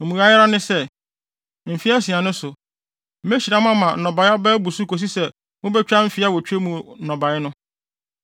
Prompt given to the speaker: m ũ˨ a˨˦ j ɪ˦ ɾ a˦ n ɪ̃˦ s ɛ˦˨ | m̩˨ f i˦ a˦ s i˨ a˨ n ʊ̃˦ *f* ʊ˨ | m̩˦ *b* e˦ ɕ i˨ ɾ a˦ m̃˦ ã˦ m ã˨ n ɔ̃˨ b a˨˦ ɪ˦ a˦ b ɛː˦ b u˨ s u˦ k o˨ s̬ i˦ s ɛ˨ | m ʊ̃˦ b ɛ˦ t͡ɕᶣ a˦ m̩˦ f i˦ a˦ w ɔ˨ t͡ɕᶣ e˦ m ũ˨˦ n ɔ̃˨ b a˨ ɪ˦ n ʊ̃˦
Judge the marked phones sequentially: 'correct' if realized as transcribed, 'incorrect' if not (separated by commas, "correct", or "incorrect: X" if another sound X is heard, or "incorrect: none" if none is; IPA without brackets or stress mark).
incorrect: s, incorrect: m